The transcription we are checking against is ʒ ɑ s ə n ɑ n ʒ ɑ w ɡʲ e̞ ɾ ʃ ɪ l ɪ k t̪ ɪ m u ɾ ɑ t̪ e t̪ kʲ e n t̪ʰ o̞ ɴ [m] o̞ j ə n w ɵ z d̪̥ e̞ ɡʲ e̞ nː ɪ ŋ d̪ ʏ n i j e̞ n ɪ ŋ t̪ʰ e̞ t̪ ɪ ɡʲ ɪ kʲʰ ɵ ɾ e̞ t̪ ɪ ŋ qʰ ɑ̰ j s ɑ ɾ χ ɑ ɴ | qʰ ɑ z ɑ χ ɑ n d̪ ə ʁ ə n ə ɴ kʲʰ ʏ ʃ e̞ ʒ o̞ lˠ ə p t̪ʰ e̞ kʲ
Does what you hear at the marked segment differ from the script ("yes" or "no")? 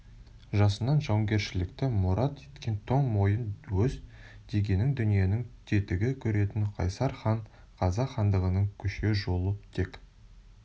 no